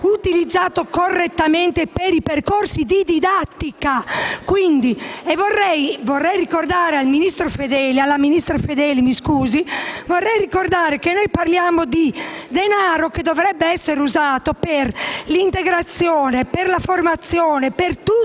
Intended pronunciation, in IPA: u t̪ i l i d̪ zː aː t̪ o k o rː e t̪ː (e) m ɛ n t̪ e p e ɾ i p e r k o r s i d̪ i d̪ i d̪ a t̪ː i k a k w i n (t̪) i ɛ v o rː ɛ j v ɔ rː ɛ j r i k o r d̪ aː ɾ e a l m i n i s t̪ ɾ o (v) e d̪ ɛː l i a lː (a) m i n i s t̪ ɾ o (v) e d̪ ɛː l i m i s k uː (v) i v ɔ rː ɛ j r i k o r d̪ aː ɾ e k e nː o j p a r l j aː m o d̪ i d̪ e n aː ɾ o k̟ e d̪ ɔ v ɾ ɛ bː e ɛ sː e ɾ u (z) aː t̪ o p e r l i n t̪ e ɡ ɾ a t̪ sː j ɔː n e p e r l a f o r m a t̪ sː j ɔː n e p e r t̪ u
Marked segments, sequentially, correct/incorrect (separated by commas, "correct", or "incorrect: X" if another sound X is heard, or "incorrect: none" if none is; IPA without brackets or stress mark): incorrect: a, incorrect: d̪, incorrect: f, correct, incorrect: f, incorrect: z, correct